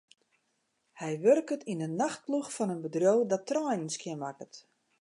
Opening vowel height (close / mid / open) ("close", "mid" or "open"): mid